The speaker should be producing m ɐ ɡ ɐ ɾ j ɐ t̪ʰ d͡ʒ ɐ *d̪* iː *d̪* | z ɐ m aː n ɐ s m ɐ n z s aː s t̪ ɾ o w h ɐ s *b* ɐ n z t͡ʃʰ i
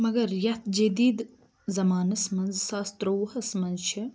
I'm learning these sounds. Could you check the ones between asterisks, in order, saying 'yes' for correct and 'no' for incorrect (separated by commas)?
yes, yes, no